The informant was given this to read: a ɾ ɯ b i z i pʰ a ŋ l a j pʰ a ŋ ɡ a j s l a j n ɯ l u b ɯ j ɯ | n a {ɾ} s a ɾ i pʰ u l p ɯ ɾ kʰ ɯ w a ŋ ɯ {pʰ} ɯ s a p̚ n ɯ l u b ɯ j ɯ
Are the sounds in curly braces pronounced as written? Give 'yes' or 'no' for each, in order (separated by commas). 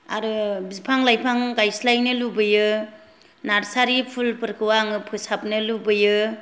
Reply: yes, yes